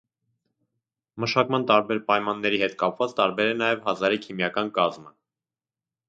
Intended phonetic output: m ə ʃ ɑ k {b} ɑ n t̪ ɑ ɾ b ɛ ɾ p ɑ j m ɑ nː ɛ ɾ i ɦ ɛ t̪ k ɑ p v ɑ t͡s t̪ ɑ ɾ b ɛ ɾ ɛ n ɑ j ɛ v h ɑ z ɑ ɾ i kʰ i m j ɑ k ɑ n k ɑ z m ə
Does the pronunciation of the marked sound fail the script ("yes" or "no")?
yes